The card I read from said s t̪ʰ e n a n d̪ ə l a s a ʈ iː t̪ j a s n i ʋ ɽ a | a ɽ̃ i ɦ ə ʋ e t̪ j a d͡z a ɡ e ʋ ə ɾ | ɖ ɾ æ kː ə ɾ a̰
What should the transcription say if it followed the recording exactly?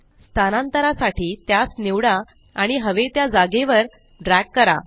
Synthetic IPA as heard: s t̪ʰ a n a n t̪ ə ɾ a s a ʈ iː t̪ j a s n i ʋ ɽ a | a ɽ̃ i ɦ ə ʋ e t̪ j a d͡z a ɡ e ʋ ə ɾ | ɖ ɾ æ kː ə ɾ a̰

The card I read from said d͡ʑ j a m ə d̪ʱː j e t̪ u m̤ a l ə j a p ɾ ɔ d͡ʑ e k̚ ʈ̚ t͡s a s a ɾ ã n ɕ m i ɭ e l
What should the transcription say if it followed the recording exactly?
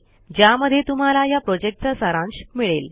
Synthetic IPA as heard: d͡ʑ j a m ə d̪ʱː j e t̪ u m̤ a l a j a p ɾ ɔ d͡ʑ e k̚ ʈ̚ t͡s a s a ɾ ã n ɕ m i ɭ e l

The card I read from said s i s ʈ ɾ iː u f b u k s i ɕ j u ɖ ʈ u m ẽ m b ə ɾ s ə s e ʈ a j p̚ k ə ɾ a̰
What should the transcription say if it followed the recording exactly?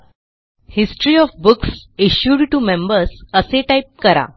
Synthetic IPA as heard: h i s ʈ ɾ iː ɔ f b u k s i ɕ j u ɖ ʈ u m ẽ m b ə ɾ s ə s e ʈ a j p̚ k ə ɾ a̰

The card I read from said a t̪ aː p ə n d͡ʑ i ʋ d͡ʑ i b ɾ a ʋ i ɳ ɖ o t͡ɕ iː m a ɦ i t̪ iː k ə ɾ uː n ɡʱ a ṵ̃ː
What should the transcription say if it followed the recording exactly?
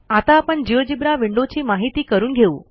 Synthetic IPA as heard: a t̪ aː p ə ɳ d͡ʑ i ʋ d͡ʑ i b ɾ a ʋ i ɳ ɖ o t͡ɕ iː m a ɦ i t̪ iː k ə ɾ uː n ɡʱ e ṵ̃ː

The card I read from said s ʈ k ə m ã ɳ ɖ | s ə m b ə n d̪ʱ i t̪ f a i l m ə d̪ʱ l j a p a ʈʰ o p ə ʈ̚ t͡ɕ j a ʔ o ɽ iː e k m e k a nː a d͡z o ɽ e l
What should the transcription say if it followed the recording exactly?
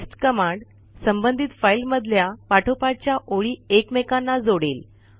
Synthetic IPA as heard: s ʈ k ə m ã ɳ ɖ | s ə m b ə n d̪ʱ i t̪ f a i l m ə d̪ʱ l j a p a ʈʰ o p a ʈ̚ t͡ɕ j a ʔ o ɭ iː e k m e k a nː a d͡z o ɽ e l

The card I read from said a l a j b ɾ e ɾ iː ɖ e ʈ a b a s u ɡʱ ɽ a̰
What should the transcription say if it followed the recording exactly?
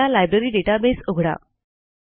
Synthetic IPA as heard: a l a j b ɾ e ɾ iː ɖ e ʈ a b e s o ɡʱ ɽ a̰

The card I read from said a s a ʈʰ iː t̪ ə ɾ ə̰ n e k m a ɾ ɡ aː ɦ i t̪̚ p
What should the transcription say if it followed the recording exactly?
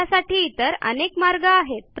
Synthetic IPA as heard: a s a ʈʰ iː t̪ ə ɾ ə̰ n e k m a ɾ ɡ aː ɦ e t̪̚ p

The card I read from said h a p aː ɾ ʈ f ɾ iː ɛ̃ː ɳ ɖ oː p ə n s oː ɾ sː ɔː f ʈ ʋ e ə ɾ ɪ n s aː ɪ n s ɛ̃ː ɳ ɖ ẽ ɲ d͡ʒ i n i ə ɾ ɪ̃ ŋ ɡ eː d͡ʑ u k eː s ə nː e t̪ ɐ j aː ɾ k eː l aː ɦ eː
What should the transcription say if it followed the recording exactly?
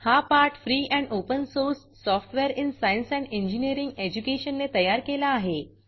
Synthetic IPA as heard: h a p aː ɾ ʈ f ɾ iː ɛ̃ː ɳ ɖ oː p ə n s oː ɾ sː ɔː f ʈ ʋ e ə ɾ ɪ n s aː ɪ n s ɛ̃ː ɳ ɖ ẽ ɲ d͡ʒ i n i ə ɾ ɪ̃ ŋ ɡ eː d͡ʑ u k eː ʃ ə nː e t̪ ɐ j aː ɾ k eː l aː ɦ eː

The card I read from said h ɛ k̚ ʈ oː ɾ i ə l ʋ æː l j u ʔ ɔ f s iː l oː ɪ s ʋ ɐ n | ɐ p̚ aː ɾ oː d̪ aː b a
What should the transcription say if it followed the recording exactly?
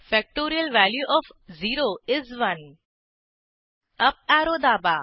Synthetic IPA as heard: f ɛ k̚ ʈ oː ɾ i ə l ʋ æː l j u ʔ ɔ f z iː ɾ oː ɪ z ʋ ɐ n | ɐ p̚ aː ɾ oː d̪ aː b a

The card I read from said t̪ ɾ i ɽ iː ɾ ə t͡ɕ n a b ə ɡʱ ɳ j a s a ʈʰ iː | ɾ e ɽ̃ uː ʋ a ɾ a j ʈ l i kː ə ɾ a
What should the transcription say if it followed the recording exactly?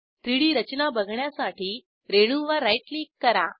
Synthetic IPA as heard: t̪ ɾ i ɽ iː ɾ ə t͡ɕ n a b ə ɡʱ ɳ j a s a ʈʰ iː | ɾ e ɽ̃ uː ʋ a ɾ a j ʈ l i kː ə ɾ a

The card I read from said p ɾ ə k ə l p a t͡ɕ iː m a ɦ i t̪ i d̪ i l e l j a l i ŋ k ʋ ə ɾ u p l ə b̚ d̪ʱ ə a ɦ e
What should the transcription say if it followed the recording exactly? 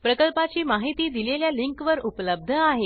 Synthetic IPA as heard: p ɾ ə k ə l p a t͡ɕ iː m a ɦ i t̪ iː d̪ i l e l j a l i ŋ k ʋ ə ɾ u p l ə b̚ d̪ʱ ə a ɦ e

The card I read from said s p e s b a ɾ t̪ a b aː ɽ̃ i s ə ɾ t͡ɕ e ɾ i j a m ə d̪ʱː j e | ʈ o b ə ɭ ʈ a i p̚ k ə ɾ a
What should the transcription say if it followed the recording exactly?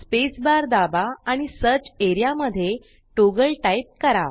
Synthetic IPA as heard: s p e s b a ɾ d̪ a b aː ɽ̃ i s ə ɾ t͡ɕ e ɾ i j a m ə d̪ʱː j e | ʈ o ɡ ə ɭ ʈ a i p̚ k ə ɾ a

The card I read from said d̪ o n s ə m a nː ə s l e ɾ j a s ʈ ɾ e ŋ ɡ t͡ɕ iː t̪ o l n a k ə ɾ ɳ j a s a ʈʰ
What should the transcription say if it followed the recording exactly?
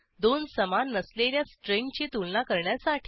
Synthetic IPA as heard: d̪ o n s ə m a nː ə s l e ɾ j a s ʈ ɾ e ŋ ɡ t͡ɕ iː t̪ u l n a k ə ɾ ɳ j a s a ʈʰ

